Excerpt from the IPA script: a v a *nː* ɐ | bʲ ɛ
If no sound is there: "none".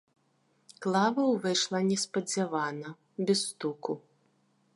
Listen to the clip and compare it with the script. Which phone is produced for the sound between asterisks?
n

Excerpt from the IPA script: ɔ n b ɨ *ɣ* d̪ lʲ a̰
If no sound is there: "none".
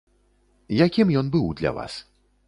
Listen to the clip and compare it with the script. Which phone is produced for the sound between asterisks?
w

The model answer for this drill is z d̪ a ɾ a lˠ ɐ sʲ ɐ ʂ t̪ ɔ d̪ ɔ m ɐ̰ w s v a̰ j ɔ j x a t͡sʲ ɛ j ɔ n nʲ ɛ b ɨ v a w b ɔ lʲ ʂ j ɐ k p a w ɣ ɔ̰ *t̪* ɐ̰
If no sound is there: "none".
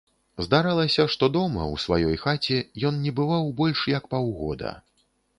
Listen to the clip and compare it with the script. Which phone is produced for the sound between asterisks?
d̪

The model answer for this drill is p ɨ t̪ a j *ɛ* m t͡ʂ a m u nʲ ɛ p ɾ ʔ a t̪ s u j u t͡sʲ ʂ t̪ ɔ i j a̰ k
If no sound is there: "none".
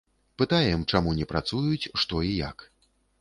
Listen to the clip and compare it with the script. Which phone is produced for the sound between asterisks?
ɛ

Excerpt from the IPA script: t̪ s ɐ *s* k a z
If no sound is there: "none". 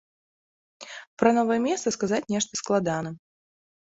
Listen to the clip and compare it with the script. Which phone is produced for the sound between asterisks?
s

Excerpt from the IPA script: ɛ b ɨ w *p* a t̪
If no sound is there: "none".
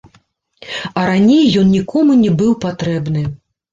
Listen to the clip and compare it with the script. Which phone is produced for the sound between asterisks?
p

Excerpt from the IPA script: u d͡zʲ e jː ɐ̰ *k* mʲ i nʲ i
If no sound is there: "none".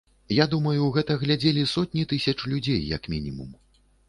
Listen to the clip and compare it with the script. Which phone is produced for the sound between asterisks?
k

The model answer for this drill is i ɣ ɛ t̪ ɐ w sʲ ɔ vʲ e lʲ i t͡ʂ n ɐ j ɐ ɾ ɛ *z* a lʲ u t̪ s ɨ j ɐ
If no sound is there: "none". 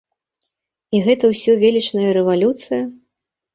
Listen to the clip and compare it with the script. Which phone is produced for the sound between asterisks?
v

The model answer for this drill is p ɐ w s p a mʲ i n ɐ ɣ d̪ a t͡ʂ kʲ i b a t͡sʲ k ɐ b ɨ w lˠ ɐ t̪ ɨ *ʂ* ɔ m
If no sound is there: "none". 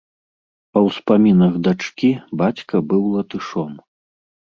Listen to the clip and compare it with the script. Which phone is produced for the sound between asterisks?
ʂ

